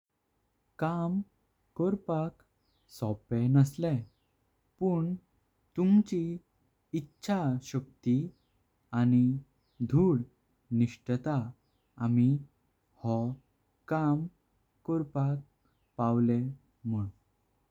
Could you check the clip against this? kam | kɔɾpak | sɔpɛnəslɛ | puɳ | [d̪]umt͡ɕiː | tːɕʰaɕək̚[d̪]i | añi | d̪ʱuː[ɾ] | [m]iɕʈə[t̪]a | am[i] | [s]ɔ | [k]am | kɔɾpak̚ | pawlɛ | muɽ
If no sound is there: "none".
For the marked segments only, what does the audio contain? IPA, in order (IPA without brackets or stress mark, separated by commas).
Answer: t̪, t̪, ɽ, n, t̪, i, h, k